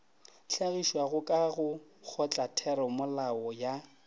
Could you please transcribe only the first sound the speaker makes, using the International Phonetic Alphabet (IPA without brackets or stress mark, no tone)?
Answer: ɬ